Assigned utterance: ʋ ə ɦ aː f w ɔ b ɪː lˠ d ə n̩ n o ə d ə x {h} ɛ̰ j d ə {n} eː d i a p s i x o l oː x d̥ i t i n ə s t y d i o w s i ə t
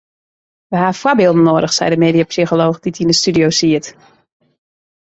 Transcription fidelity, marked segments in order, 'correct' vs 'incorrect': incorrect, incorrect

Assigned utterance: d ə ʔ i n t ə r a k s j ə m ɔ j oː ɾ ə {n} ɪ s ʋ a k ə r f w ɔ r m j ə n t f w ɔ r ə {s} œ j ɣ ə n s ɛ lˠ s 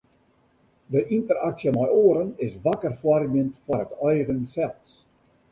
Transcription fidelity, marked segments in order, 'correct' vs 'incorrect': correct, incorrect

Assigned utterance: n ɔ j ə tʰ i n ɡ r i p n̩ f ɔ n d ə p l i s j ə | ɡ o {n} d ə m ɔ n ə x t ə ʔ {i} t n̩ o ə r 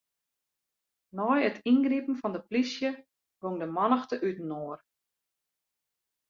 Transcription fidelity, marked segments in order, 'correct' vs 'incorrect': incorrect, incorrect

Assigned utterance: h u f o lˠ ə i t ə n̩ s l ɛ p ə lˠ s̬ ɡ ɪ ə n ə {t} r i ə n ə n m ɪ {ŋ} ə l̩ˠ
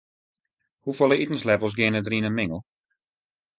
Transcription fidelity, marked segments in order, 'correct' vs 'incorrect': incorrect, correct

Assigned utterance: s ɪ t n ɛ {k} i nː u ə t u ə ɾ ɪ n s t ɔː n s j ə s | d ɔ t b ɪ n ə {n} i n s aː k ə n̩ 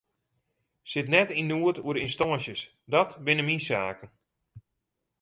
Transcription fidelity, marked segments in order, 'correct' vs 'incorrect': incorrect, incorrect

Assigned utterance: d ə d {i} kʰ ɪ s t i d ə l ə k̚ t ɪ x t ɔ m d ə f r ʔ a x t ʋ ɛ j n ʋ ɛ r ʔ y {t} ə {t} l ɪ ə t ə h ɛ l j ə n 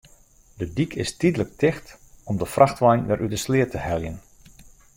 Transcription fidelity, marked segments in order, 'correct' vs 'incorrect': correct, incorrect, incorrect

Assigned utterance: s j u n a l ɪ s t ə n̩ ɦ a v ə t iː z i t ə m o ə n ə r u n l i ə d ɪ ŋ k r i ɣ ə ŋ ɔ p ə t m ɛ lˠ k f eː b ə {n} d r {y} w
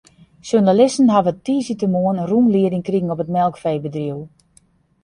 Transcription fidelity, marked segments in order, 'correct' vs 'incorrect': incorrect, incorrect

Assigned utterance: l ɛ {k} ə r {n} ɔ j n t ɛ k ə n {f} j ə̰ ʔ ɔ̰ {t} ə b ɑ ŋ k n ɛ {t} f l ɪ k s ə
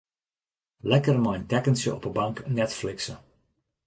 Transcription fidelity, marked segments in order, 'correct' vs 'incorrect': correct, incorrect, incorrect, incorrect, correct

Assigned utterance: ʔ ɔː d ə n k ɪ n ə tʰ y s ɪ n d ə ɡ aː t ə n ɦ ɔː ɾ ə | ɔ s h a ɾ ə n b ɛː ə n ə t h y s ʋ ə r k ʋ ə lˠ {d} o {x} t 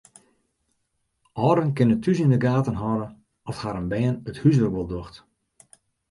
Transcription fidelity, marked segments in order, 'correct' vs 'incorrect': correct, correct

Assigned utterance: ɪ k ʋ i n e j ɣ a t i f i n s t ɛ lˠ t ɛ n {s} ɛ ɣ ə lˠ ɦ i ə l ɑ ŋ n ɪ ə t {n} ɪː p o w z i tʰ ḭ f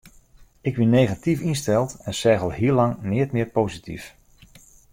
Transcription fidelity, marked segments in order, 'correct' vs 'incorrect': correct, incorrect

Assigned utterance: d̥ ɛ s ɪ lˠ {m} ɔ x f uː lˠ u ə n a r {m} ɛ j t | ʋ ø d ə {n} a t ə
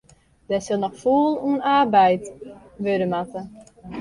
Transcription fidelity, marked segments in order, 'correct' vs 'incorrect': incorrect, incorrect, incorrect

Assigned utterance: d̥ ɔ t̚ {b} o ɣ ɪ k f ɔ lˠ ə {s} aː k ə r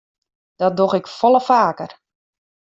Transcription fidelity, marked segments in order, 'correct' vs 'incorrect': incorrect, incorrect

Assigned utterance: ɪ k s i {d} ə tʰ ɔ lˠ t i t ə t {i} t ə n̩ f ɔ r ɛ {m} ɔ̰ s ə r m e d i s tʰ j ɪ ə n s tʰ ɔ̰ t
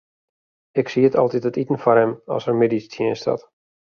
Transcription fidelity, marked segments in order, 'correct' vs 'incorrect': incorrect, correct, correct

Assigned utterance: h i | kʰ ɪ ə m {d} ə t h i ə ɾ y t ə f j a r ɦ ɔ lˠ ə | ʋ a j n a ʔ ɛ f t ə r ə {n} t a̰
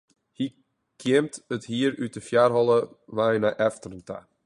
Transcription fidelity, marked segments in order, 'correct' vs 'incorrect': incorrect, correct

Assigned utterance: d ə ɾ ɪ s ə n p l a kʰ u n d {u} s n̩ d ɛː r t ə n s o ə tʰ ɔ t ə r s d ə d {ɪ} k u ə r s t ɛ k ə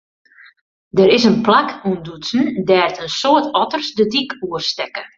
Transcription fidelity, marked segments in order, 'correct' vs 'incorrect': correct, incorrect

